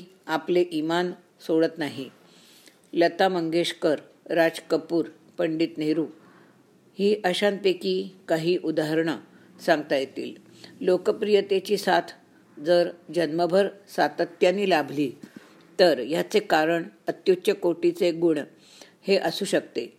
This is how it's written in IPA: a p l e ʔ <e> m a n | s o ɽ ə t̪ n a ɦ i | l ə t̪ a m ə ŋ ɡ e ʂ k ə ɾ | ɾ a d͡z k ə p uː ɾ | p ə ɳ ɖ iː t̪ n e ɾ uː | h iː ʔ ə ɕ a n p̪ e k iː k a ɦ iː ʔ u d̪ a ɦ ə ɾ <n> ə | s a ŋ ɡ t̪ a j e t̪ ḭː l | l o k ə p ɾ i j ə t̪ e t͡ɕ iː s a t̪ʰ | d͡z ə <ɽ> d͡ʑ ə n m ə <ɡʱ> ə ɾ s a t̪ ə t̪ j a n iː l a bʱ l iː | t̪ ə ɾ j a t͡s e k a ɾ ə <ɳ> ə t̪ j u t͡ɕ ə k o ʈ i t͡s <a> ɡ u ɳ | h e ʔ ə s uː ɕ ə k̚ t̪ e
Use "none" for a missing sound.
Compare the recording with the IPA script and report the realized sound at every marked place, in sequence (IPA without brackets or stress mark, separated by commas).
i, ɳ, ɾ, bʱ, ɳ, e